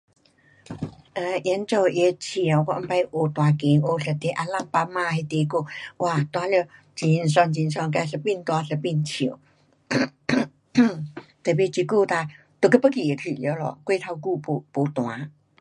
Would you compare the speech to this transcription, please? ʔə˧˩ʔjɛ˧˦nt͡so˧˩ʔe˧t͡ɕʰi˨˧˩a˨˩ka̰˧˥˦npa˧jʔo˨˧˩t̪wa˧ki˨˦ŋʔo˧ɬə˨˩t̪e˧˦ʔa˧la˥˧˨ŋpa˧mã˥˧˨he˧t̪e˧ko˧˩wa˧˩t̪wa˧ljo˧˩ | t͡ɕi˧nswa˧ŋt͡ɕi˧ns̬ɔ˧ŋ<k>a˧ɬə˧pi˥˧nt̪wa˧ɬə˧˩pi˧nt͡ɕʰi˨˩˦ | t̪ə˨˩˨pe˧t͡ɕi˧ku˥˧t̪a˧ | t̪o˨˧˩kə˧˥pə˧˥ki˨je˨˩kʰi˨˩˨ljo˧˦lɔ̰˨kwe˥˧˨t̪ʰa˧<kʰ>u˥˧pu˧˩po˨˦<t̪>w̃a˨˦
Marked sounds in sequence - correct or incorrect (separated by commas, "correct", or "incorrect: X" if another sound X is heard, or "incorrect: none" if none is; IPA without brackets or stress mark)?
correct, incorrect: k, correct